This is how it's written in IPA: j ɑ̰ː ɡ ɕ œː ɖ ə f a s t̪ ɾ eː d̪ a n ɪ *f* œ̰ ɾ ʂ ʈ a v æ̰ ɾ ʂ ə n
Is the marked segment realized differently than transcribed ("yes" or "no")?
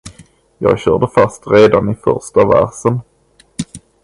no